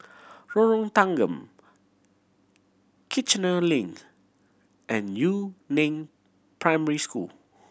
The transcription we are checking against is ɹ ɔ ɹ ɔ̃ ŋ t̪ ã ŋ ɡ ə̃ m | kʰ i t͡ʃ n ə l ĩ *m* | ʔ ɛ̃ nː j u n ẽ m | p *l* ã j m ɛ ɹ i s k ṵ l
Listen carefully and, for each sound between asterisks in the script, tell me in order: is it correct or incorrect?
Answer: incorrect: ŋ, incorrect: ɹ

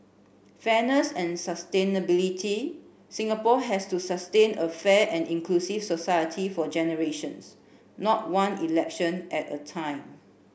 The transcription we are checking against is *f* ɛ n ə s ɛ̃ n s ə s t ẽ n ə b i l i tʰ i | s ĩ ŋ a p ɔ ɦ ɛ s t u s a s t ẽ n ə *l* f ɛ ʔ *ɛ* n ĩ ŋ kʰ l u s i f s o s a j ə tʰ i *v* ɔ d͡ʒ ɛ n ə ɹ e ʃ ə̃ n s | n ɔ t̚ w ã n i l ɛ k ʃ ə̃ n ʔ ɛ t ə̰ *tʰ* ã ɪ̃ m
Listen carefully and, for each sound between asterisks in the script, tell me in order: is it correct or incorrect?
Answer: correct, incorrect: none, incorrect: ɛ̃, incorrect: f, correct

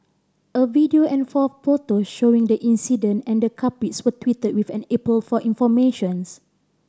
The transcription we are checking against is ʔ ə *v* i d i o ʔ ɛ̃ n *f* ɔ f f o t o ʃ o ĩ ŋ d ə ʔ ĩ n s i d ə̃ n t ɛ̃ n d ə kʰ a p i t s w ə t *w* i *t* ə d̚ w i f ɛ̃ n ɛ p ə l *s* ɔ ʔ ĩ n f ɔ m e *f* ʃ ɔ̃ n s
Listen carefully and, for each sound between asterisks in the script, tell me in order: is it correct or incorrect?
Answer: correct, correct, correct, correct, incorrect: f, incorrect: none

